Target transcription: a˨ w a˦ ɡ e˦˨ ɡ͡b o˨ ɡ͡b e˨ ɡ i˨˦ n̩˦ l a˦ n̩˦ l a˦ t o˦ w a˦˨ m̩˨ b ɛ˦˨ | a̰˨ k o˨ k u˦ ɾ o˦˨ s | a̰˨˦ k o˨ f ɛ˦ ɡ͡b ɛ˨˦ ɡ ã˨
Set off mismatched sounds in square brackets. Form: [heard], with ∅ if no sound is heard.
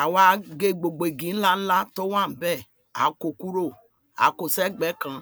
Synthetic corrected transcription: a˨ w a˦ ɡ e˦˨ ɡ͡b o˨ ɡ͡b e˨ ɡ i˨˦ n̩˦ l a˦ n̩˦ l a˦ t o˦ w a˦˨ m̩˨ b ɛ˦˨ | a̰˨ k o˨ k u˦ ɾ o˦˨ [∅] | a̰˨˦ k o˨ [s] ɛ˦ ɡ͡b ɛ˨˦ [k] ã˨